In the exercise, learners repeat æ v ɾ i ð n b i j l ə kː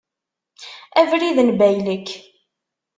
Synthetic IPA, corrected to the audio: æ v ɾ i ð n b æ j l ə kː